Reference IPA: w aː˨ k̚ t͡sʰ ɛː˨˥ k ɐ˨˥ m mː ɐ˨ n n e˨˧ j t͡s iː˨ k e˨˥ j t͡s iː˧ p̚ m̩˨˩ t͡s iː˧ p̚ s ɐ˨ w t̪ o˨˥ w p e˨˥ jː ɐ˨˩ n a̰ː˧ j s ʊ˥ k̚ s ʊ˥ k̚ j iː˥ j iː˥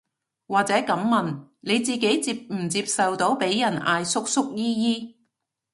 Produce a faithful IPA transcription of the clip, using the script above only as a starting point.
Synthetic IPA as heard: w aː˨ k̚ t͡s ɛː˨˥ k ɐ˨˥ m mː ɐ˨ n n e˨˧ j t͡s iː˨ k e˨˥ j t͡s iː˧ p̚ m̩˨˩ t͡s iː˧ p̚ s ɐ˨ w t̪ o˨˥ w p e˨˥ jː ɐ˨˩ n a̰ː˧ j s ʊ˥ k̚ s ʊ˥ k̚ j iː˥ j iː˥